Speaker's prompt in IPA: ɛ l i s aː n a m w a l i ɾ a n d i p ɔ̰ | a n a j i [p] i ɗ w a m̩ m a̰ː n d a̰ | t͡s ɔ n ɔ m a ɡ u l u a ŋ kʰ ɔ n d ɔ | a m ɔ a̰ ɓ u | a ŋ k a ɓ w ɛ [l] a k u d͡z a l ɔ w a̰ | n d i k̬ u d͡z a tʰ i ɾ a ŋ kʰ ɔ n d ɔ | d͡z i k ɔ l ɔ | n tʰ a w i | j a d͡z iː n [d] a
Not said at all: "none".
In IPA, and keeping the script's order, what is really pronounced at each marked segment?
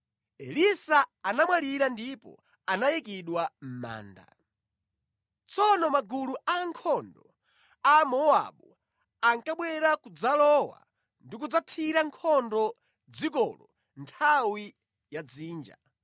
k, ɾ, d͡ʒ

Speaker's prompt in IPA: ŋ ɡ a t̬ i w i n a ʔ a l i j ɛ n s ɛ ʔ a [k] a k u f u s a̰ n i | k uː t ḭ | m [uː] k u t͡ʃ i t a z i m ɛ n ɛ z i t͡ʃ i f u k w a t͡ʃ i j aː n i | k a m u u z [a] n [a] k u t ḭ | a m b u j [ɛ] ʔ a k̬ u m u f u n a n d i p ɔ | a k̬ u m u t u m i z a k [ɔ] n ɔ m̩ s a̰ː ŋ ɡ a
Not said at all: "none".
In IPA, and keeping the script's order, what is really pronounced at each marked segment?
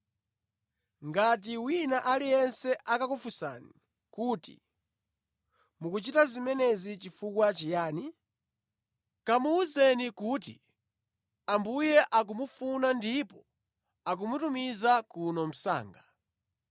k, u, ɛ, i, ɛ, u

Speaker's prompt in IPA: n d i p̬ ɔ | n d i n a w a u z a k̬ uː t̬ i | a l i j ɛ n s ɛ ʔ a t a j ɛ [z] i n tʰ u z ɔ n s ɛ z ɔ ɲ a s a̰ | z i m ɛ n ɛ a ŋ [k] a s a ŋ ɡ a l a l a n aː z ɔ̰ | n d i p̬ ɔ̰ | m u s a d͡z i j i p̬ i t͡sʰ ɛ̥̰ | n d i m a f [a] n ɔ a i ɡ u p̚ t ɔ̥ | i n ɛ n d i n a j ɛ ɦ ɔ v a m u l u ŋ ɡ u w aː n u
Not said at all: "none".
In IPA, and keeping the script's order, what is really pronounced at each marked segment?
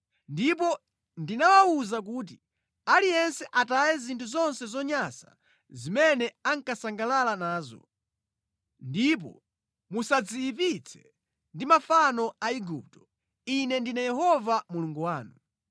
z, k, a

